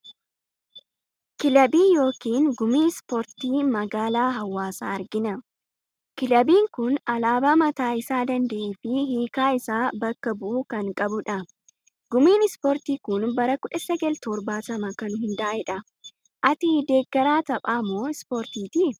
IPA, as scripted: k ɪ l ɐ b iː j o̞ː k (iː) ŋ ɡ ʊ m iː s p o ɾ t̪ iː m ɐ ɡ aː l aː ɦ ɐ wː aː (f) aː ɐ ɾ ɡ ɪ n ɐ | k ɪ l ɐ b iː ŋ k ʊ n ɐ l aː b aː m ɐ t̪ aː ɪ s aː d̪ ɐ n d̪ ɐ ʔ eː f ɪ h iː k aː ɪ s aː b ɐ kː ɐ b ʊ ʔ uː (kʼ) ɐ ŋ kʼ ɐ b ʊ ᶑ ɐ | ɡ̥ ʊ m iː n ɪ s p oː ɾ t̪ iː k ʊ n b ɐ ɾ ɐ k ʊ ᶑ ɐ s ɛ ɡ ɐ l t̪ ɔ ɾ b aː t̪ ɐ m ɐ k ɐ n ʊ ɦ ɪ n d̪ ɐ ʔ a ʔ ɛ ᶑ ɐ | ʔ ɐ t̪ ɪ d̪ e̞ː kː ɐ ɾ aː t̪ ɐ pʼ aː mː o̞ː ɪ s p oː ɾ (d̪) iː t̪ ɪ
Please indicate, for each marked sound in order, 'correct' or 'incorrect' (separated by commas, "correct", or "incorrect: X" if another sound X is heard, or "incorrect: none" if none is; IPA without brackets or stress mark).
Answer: correct, incorrect: s, incorrect: k, incorrect: t̪